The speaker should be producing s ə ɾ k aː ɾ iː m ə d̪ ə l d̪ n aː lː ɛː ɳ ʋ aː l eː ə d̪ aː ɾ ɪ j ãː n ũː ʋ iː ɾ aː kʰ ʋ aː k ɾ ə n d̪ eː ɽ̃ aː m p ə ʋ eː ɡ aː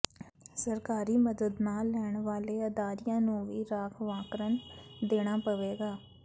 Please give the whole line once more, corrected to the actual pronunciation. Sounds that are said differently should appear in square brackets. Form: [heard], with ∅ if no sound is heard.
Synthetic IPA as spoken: s ə ɾ k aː ɾ iː m ə d̪ ə [∅] d̪ n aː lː ɛː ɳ ʋ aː l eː ə d̪ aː ɾ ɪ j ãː n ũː ʋ iː ɾ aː kʰ ʋ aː k ɾ ə n d̪ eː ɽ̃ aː [∅] p ə ʋ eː ɡ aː